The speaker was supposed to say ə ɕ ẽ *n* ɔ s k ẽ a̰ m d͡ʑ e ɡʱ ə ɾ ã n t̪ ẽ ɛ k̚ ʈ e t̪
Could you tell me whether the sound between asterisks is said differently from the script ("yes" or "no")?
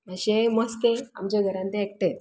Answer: yes